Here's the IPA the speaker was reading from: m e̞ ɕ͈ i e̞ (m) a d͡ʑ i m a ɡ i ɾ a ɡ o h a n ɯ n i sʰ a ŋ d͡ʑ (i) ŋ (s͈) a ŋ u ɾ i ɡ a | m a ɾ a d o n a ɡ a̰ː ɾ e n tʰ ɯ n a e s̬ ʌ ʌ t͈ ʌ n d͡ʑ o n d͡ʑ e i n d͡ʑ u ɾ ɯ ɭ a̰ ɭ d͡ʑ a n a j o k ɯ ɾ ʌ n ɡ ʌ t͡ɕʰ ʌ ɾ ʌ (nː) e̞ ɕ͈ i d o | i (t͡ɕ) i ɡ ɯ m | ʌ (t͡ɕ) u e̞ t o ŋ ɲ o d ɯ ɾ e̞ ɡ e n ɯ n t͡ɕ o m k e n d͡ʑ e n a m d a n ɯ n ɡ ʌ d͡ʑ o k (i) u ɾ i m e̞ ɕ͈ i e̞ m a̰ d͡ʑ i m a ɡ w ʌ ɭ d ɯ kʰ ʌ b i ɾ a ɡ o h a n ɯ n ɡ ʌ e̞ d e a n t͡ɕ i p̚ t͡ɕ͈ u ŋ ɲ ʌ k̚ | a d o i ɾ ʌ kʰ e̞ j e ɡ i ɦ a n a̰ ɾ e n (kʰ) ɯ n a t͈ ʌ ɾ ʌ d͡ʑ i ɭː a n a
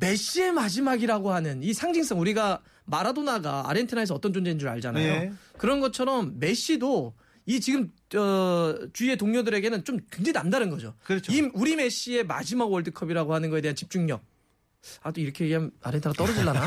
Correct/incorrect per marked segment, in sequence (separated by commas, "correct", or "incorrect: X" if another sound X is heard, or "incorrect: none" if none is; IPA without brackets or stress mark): correct, correct, correct, incorrect: mː, correct, correct, correct, incorrect: tʰ